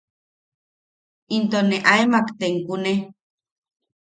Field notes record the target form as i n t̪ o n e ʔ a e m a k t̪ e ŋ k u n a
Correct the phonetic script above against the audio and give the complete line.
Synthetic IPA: i n t̪ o n e ʔ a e m a k t̪ e ŋ k u n e